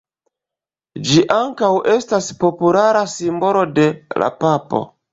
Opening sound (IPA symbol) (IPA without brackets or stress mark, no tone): d͡ʒ